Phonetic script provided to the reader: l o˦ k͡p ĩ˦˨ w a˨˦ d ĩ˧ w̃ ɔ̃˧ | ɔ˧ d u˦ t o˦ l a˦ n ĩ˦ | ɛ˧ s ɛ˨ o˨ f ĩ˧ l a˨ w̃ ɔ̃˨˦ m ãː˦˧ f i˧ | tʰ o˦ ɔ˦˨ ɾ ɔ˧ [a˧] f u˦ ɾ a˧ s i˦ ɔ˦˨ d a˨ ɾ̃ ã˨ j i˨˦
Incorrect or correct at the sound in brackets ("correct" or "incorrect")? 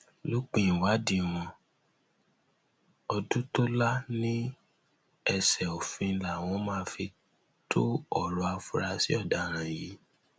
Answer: correct